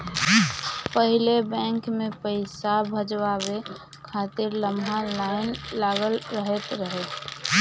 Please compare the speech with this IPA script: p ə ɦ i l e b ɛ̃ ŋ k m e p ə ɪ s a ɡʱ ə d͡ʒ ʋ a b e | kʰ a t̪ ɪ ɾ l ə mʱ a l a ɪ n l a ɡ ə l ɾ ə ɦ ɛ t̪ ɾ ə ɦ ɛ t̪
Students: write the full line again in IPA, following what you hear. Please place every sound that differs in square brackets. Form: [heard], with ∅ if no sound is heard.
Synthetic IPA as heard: p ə ɦ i l e b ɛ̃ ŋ k m e p ə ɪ s a [bʱ] ə d͡ʒ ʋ a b e | kʰ a t̪ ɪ ɾ l ə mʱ a l a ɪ n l a ɡ ə l ɾ ə ɦ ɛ t̪ ɾ ə ɦ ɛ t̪